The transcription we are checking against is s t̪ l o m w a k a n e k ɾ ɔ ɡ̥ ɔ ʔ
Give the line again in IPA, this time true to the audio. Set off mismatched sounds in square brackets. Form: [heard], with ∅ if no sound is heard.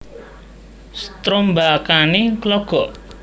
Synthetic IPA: s t̪ [ɾ] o m [b] a k a n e k [l] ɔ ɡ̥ ɔ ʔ

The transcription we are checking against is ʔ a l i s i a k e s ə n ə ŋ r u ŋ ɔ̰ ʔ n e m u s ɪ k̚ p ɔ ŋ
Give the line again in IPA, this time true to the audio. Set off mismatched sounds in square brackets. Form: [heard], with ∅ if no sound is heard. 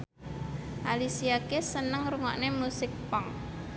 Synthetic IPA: ʔ a l i s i a k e s ə n ə ŋ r u ŋ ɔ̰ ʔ n e m u s ɪ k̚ p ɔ ŋ

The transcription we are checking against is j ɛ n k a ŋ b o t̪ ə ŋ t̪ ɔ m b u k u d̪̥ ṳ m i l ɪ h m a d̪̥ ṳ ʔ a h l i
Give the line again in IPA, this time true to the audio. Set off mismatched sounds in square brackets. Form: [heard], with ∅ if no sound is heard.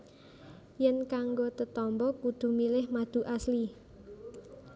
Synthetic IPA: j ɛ n k a ŋ [ɡ] o t̪ ə [∅] t̪ ɔ m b [ɔ] k u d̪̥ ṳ m i l ɪ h m a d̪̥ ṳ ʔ a [s] l i

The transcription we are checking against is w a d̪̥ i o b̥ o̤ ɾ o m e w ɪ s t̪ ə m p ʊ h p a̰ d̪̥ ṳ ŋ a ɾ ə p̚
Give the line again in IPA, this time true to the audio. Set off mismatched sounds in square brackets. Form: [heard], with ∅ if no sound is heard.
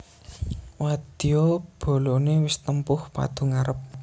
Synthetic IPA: w a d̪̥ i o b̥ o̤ [l] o [n] e w ɪ s t̪ ə m p ʊ h p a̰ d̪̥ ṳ ŋ a ɾ ə p̚

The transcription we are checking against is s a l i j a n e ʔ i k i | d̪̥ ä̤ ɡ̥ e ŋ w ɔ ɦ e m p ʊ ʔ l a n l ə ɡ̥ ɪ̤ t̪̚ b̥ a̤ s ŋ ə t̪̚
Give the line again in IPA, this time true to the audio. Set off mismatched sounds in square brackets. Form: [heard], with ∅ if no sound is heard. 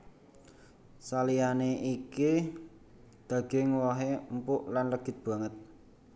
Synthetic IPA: s a l i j a n e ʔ i k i | d̪̥ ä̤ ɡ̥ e ŋ w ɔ ɦ e m p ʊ ʔ l a n l ə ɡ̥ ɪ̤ t̪̚ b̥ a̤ [∅] ŋ ə t̪̚

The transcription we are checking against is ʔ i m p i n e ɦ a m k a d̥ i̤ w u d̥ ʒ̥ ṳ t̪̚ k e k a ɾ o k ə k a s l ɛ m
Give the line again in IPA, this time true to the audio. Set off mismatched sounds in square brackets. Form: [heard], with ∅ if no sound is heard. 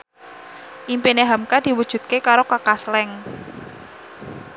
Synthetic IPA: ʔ i m p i n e ɦ a m k a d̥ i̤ w u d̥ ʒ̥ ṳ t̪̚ k e k a ɾ o k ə k a s l ɛ [ŋ]

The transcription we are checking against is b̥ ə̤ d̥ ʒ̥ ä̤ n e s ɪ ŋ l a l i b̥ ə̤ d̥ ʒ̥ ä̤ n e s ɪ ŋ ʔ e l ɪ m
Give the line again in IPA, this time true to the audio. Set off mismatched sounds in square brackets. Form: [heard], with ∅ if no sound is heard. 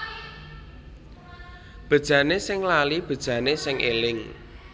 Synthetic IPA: b̥ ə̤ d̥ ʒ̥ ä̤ n e s ɪ ŋ l a l i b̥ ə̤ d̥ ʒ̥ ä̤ n e s ɪ ŋ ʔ e l ɪ [ŋ]

